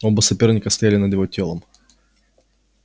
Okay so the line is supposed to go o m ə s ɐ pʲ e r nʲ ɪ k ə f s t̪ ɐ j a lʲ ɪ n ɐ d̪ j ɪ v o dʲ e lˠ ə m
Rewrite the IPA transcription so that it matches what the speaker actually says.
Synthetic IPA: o b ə s ɐ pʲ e r nʲ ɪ k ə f s t̪ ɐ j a lʲ ɪ n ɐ d̪ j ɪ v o tʲ e lˠ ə m